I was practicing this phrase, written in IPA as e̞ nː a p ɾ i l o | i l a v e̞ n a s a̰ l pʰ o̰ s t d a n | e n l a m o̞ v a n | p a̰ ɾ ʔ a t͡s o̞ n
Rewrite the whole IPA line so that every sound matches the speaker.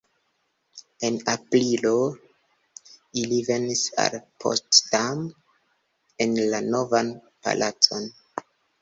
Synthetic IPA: e̞ n a p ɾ i l o | i l i v e̞ n i s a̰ l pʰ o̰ s t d a m | e n l a n o̞ v a n | p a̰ l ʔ a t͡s o̞ n